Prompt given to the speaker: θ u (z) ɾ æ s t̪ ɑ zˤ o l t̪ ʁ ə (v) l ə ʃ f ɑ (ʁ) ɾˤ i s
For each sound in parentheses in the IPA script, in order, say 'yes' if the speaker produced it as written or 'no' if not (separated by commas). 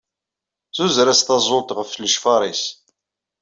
yes, no, no